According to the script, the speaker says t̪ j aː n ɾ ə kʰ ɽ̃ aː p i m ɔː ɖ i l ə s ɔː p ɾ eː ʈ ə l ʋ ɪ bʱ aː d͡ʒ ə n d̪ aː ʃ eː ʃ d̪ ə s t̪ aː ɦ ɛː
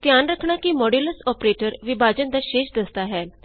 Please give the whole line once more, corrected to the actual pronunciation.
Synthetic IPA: t̪ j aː n ɾ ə kʰ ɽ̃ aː k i m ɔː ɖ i l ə s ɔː p ɾ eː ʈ ə ɾ ʋ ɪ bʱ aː d͡ʒ ə n d̪ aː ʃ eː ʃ d̪ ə s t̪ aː ɦ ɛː